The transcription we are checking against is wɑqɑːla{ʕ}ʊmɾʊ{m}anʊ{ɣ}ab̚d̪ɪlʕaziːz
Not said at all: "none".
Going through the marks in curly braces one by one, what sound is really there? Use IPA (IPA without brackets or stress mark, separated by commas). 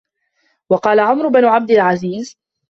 ʕ, b, ʕ